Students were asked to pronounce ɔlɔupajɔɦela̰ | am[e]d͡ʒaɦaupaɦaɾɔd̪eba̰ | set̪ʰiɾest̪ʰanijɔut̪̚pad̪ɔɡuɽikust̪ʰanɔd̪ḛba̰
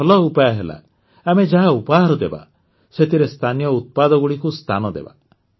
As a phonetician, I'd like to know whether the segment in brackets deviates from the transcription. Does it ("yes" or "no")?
no